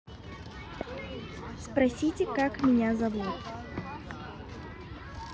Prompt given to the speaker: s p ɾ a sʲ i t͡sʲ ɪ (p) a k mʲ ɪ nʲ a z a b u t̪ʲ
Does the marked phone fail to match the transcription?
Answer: yes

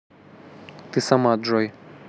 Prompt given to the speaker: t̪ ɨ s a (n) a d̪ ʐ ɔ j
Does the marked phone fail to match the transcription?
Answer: yes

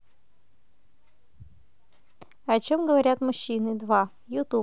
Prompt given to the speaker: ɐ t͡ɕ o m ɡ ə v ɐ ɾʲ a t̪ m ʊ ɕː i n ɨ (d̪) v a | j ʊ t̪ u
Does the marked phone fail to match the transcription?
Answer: no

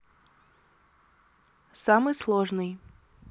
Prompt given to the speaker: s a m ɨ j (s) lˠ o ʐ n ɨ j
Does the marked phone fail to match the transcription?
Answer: no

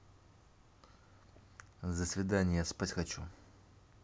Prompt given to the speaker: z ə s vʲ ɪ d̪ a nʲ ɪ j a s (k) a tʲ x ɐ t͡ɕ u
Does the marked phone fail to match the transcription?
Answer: yes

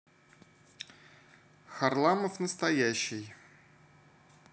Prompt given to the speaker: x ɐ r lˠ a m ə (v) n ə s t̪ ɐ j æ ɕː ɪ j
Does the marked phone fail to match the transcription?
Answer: yes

